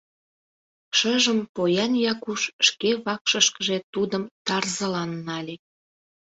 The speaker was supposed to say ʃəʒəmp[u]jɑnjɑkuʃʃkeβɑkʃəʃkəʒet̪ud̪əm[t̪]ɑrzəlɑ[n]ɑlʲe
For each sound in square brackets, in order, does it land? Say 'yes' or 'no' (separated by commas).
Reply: no, yes, no